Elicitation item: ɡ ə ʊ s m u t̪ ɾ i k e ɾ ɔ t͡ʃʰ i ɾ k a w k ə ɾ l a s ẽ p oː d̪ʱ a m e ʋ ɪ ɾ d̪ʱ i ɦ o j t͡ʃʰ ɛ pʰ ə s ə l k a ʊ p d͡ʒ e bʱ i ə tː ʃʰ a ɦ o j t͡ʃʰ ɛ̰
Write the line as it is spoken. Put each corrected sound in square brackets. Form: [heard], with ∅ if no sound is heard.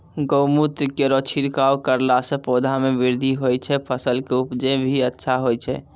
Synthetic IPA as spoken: ɡ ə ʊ [∅] m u t̪ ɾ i k e ɾ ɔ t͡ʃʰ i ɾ k a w k ə ɾ l a s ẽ p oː d̪ʱ a m e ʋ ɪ ɾ d̪ʱ i ɦ o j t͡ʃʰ ɛ pʰ ə s ə l k [e] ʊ p d͡ʒ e bʱ i ə tː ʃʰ a ɦ o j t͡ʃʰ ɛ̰

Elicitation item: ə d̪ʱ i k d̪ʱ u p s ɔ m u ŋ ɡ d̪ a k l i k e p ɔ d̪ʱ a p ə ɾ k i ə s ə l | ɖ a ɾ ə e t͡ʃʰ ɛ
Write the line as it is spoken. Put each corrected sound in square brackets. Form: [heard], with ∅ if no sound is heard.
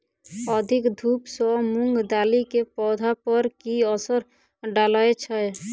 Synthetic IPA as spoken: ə d̪ʱ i k d̪ʱ u p s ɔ m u ŋ ɡ d̪ a [∅] l i k e p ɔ d̪ʱ a p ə ɾ k i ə s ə [ɾ] | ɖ a [l] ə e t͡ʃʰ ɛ

